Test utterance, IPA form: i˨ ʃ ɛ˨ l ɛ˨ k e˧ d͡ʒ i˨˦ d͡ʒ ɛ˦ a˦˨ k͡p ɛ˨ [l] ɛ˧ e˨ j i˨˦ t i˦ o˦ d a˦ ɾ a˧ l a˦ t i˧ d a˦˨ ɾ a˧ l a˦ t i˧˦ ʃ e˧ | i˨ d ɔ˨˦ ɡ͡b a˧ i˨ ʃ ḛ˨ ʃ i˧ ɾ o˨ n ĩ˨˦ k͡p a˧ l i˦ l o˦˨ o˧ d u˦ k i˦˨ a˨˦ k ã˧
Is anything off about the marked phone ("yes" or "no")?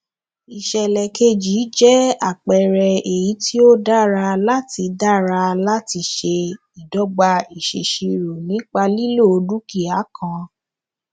yes